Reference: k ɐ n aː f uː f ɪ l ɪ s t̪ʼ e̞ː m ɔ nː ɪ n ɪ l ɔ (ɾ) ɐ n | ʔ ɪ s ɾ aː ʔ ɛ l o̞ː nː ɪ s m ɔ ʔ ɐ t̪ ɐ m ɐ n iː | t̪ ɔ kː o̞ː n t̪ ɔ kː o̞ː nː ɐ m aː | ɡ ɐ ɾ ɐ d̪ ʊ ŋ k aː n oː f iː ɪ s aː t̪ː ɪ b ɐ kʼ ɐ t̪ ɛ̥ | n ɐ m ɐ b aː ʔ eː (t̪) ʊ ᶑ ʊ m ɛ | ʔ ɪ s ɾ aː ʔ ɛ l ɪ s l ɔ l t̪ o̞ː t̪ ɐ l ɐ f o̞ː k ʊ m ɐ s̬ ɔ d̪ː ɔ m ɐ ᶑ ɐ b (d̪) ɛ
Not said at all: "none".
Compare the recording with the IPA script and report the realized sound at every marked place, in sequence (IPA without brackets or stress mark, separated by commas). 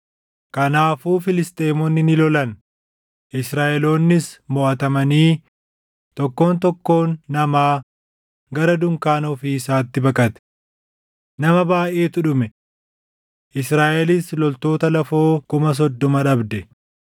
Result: l, t̪, d̪